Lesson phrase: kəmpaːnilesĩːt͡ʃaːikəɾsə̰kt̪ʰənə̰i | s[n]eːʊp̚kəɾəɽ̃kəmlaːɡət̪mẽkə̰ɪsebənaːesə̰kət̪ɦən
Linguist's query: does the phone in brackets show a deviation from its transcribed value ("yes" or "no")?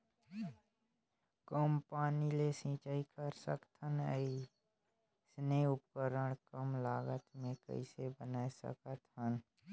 no